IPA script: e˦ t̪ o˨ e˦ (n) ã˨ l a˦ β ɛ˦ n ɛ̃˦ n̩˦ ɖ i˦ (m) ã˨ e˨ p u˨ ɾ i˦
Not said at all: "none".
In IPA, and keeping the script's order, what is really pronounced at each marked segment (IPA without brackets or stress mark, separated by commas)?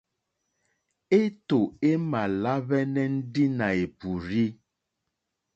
m, n